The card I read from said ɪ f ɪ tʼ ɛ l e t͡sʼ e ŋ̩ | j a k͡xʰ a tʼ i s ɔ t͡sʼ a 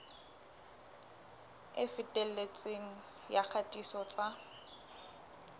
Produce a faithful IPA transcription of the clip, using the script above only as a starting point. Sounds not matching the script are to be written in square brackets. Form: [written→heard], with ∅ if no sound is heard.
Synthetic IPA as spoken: ɪ f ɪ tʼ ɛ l e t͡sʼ e ŋ̩ | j a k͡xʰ a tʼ i s ɔ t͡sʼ a